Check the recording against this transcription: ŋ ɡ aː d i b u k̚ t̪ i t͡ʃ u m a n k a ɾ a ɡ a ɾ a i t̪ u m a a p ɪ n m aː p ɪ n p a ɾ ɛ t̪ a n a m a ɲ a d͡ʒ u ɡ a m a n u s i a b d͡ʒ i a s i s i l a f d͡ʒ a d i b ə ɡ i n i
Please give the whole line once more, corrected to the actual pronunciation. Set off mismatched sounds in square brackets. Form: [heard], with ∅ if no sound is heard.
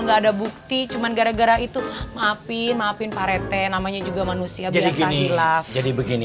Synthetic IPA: ŋ ɡ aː d [a] b u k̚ t̪ i t͡ʃ u m a n [ɡ] a ɾ a ɡ a ɾ a i t̪ u m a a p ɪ n m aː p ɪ n p a ɾ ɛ t̪ [ɛ] n a m a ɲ a d͡ʒ u ɡ a m a n u s i a b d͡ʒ i a s [a] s i l a f d͡ʒ a d i b ə ɡ i n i